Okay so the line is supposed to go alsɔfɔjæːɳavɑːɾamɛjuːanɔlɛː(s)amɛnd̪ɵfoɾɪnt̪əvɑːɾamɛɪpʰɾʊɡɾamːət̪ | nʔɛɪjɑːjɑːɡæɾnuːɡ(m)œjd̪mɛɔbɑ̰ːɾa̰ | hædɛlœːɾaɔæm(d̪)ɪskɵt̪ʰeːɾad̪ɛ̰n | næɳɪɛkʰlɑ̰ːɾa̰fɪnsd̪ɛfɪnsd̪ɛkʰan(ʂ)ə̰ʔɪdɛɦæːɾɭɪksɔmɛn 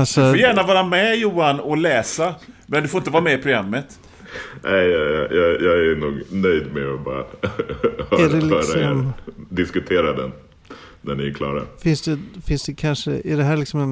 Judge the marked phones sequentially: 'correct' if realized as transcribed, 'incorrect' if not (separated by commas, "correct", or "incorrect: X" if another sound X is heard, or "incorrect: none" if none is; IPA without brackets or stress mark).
correct, incorrect: n, correct, correct